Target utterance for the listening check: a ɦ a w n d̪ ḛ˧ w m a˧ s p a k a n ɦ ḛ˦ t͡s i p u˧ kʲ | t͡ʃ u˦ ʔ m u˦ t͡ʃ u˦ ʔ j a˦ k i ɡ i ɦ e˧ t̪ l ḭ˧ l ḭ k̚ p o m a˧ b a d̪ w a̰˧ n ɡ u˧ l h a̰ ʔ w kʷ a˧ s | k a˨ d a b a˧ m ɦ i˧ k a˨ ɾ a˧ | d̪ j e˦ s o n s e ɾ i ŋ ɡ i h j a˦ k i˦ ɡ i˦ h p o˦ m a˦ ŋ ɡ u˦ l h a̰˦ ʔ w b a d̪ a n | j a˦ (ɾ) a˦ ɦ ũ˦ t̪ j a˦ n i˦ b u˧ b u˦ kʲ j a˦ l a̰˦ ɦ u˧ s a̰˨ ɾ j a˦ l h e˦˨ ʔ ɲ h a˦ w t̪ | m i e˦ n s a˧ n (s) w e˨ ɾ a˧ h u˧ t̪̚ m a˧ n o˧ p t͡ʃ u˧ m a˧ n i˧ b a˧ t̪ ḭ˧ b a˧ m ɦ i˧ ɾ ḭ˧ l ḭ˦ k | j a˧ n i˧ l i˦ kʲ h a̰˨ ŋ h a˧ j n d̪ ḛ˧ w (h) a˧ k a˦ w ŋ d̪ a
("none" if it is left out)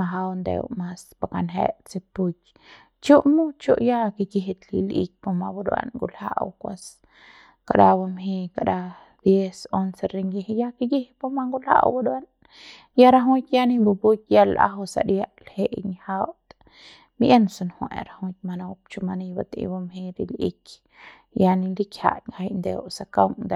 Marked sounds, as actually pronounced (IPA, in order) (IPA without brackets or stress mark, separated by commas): ɾ, h, s